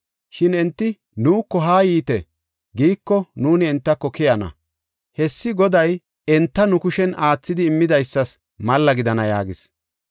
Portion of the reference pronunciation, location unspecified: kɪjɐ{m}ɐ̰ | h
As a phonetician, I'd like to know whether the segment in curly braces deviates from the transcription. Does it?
yes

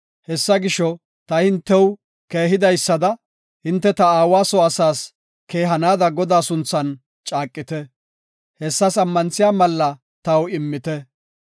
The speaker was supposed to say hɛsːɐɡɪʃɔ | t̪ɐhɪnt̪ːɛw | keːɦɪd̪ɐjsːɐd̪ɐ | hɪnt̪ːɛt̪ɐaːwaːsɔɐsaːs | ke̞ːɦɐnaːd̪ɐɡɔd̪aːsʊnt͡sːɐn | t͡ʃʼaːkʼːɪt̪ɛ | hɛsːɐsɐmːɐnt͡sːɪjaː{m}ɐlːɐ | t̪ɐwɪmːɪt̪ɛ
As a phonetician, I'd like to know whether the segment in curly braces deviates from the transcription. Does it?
no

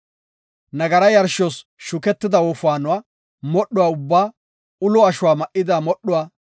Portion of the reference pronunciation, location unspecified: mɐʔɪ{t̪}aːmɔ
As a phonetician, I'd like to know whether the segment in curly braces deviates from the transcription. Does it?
yes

